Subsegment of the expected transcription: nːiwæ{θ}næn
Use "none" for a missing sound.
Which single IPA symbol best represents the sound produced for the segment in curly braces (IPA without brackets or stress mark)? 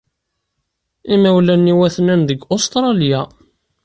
θ